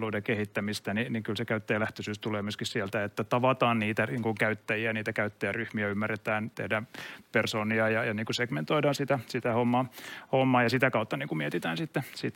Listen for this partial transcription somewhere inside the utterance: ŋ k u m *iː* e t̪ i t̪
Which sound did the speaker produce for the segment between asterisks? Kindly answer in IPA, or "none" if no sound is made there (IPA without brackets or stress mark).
i